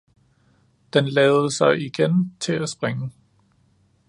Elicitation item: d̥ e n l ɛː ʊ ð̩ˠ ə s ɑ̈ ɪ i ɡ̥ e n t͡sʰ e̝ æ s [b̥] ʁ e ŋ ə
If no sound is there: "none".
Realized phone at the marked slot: b̥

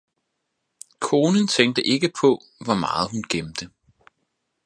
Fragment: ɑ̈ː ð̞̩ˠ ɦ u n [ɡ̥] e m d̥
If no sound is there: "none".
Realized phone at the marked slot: ɡ̥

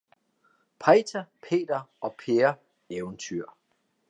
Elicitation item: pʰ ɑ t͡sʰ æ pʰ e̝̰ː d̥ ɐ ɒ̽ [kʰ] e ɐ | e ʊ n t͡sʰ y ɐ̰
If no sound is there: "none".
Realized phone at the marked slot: pʰ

